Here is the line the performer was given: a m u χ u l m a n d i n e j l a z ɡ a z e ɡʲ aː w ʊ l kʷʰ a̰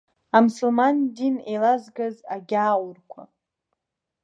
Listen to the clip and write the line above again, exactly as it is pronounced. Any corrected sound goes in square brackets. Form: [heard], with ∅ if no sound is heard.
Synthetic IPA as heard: a m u [s] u l m a n d i n e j l a z ɡ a z [a] ɡʲ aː w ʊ [r] kʷʰ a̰